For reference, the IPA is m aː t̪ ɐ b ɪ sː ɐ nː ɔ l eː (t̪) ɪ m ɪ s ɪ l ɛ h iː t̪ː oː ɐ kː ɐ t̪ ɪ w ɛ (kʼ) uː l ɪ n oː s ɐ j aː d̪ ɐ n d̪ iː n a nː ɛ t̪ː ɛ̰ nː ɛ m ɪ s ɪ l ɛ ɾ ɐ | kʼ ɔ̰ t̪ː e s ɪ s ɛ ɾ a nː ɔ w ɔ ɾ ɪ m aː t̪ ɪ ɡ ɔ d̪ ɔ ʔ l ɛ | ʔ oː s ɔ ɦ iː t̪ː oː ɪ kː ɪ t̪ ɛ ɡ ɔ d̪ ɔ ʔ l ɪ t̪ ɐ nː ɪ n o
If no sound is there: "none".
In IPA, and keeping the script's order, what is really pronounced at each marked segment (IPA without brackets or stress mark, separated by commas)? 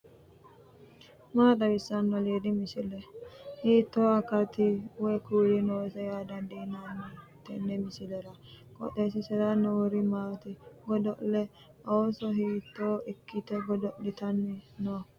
d̪, k